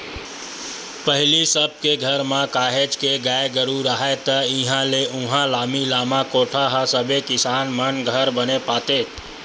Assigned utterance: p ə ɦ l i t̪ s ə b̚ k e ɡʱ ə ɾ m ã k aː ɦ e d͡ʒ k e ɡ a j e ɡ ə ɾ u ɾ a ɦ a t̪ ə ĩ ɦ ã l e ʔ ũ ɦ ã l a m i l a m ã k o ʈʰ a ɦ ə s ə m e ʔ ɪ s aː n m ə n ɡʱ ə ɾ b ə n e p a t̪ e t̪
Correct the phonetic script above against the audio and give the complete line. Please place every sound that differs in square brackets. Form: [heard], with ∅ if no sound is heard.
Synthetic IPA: p ə ɦ l i [∅] s ə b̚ k e ɡʱ ə ɾ m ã k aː ɦ e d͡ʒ k e ɡ a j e ɡ ə ɾ u ɾ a ɦ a t̪ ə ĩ ɦ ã l e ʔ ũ ɦ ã l a m i l a m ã k o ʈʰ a ɦ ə s ə [b] e [k] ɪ s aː n m ə n ɡʱ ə ɾ b ə n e p a t̪ e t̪